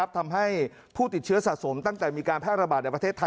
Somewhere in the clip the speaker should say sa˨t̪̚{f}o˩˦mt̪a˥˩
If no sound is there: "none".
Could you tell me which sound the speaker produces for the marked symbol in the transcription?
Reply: s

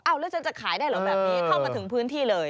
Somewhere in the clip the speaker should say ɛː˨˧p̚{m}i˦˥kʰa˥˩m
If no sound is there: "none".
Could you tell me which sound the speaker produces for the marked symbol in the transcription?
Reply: n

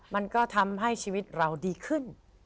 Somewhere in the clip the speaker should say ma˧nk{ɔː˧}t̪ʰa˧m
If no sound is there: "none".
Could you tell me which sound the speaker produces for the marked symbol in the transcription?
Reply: ɔː˥˩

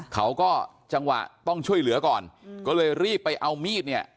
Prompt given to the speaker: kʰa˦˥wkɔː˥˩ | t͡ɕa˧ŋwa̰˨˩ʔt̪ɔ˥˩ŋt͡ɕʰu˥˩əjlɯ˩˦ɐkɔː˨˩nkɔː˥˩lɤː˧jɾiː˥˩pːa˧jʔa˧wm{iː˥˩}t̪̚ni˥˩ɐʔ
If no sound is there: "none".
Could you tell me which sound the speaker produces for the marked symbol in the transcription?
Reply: iː˥˩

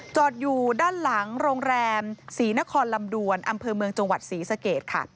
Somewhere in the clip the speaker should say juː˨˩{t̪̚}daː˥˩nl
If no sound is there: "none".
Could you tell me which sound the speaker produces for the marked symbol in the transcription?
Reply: none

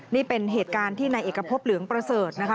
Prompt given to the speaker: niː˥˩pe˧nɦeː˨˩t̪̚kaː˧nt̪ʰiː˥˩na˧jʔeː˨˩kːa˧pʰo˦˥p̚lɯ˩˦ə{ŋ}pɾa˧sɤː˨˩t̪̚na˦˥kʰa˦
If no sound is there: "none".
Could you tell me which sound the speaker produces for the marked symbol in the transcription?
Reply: ŋ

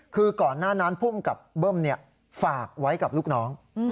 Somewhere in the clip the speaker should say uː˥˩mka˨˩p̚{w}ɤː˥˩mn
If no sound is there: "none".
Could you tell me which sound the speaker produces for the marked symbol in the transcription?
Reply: b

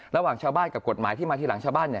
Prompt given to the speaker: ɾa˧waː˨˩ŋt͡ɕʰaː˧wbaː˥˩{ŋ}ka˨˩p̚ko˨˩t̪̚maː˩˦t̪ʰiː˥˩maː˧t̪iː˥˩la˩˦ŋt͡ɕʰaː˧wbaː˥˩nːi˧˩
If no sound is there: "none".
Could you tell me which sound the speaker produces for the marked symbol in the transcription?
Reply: n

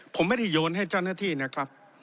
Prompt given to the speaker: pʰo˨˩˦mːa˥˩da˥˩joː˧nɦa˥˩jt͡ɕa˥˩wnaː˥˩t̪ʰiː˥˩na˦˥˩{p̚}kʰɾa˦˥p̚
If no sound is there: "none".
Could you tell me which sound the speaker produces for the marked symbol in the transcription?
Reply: none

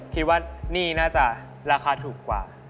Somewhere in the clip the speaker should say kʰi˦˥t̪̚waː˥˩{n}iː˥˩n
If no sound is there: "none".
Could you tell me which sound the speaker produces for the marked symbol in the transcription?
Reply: n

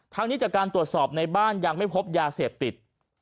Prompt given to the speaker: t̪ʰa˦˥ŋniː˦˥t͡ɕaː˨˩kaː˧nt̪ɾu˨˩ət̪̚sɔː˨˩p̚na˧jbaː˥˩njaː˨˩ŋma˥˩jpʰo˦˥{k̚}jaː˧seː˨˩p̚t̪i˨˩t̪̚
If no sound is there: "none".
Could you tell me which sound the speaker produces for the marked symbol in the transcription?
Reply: p̚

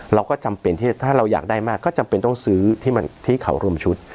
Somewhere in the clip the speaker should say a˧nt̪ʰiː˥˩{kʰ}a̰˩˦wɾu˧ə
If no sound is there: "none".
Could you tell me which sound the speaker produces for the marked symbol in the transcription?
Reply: kʰ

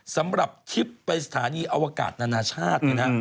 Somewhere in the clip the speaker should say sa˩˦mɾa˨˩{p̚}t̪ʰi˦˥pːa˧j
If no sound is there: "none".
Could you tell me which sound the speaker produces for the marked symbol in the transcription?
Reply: p̚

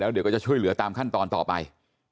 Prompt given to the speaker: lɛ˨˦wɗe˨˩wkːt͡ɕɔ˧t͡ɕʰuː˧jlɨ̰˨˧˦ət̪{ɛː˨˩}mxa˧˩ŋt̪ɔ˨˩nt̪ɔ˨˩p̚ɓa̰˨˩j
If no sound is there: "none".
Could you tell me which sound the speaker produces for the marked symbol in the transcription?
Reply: aː˨˩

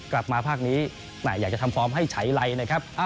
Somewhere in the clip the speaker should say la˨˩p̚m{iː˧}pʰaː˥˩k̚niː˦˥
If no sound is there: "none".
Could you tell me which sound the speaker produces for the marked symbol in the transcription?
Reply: aː˧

